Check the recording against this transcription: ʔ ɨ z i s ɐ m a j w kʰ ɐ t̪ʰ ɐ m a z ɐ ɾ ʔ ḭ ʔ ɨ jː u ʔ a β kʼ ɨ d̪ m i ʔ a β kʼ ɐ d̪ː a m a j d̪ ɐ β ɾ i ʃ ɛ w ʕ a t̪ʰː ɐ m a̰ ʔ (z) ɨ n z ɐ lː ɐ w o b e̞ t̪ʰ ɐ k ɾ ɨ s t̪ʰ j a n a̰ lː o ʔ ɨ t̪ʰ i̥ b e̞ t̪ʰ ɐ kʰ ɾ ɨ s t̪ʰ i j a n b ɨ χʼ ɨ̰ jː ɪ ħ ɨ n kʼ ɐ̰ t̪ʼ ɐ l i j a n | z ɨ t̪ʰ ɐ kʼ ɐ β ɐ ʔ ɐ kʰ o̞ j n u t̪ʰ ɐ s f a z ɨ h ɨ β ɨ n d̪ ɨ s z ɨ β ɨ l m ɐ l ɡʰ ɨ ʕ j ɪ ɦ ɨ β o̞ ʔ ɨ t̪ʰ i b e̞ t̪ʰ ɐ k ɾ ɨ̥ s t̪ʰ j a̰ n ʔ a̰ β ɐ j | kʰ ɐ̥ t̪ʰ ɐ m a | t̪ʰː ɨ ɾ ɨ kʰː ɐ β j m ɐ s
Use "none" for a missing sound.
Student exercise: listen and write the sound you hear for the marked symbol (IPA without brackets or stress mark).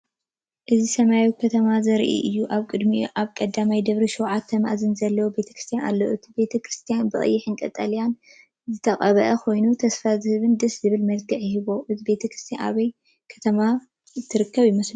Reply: z